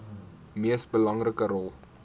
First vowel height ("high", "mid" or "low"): high